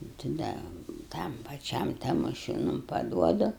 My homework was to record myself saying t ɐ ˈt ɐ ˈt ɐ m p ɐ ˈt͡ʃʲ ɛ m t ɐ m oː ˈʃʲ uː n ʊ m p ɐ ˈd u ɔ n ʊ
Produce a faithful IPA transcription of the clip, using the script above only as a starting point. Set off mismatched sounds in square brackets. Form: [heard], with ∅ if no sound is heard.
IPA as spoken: t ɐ [ˈd] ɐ ˈt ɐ m p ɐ ˈt͡ʃʲ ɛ m t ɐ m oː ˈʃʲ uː n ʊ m p ɐ ˈd u ɔ [d] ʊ